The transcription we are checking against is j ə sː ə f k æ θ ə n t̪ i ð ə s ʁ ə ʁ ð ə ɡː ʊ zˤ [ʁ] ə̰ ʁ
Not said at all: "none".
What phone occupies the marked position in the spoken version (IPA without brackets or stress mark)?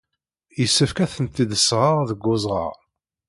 ʁ